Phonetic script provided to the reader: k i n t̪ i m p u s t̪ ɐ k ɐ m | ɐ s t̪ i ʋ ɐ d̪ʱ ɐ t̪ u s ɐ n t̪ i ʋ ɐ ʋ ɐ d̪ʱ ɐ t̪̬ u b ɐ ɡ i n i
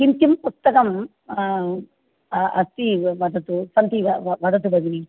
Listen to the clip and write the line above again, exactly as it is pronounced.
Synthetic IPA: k i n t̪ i m p u s t̪ ɐ k ɐ m | ɐ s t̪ i ʋ ɐ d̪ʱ ɐ t̪ u s ɐ n t̪ i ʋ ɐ ʋ ɐ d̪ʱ ɐ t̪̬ u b ɐ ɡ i n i